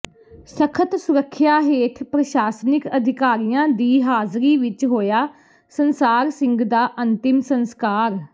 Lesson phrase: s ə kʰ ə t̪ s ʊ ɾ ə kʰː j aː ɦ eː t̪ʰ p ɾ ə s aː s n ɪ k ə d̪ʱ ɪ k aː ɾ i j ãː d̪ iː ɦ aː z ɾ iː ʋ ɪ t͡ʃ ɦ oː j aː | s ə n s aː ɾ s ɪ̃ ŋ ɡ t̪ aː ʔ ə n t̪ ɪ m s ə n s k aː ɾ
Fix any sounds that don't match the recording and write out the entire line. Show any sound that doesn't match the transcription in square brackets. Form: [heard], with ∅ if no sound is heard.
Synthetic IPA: s ə kʰ ə t̪ s ʊ ɾ ə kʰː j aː ɦ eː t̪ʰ p ɾ ə [ʃ] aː s n ɪ k ə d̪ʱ ɪ k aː ɾ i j ãː d̪ iː ɦ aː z ɾ iː ʋ ɪ t͡ʃ ɦ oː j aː | s ə n s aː ɾ s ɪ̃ ŋ ɡ [d̪] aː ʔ ə n t̪ ɪ m s ə n s k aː ɾ